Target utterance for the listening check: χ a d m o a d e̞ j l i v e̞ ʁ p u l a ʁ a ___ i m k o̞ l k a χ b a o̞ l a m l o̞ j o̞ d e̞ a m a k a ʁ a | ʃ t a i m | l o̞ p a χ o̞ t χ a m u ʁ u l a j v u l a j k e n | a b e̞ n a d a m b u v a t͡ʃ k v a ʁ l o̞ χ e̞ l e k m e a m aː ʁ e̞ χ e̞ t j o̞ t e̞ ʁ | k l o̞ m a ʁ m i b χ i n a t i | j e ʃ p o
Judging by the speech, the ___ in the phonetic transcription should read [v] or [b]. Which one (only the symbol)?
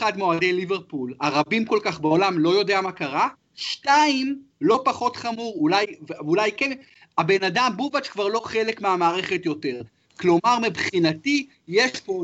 b